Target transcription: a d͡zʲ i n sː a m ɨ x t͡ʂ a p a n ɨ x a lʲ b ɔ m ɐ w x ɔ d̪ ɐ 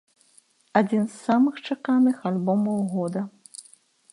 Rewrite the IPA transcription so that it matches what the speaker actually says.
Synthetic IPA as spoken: a d͡zʲ i n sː a m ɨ x t͡ʂ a k a n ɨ x a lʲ b ɔ m ɐ w ɣ ɔ d̪ ɐ